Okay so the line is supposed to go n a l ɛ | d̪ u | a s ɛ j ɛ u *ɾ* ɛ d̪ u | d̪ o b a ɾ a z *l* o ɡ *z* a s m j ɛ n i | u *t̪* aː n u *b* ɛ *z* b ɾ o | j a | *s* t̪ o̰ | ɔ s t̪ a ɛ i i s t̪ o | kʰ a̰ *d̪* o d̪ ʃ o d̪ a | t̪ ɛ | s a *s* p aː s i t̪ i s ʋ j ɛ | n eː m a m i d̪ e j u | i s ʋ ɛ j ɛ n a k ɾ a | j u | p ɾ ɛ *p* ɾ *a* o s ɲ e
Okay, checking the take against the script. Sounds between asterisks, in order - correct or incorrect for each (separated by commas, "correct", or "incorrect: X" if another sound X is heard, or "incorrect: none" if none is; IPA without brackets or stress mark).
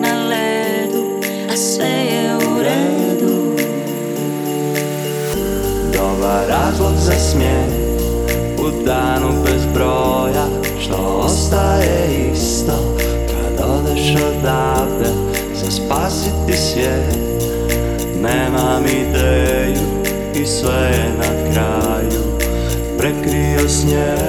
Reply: correct, correct, correct, incorrect: d̪, correct, correct, incorrect: ʃ, correct, correct, incorrect: k, incorrect: i